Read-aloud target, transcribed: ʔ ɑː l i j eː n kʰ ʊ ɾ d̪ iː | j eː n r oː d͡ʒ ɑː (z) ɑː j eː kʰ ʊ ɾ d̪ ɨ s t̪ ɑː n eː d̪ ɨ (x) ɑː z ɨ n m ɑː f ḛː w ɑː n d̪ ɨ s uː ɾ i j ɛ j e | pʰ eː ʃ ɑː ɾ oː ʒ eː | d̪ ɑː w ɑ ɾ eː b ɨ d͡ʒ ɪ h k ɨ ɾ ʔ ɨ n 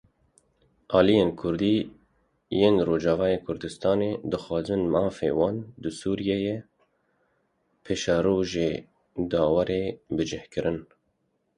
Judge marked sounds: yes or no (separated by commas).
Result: no, yes